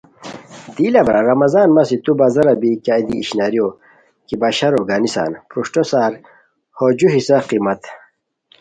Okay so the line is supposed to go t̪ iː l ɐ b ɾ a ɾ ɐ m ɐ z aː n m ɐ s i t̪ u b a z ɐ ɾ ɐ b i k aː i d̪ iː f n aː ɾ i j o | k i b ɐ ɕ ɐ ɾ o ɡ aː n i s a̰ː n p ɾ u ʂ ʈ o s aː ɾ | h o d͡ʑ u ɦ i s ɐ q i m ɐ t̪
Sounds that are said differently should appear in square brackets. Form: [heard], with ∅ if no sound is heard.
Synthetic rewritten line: [d̪] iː l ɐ b ɾ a ɾ ɐ m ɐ z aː n m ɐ s i t̪ u b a z ɐ ɾ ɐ b i k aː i d̪ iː [ɕ] n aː ɾ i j o | k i b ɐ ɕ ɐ ɾ o ɡ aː n i s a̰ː n p ɾ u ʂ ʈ o s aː ɾ | h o d͡ʑ u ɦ i s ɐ q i m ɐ t̪